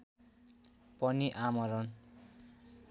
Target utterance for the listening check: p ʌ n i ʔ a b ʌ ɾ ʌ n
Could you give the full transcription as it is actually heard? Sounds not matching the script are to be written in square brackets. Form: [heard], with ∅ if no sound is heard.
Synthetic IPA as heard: p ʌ n i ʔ a [m] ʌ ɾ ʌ n